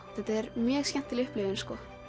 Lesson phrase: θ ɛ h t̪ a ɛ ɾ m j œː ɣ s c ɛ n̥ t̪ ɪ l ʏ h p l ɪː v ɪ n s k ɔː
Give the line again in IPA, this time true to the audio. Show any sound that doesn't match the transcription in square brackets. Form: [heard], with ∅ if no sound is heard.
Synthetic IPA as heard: θ ɛ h t̪ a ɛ ɾ m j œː ɣ s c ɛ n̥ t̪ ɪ l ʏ h p l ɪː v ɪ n s k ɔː